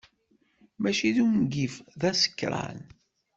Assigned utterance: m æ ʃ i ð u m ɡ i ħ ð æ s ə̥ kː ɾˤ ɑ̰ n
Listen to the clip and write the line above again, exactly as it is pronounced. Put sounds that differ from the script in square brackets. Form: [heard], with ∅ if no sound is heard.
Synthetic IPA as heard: m æ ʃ i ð u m ɡ i [f] ð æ s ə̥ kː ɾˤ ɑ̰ n